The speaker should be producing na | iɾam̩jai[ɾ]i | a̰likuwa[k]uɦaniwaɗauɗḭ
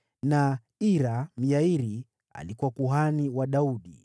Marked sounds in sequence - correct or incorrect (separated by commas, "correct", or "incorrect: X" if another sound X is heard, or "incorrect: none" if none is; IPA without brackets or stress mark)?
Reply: correct, correct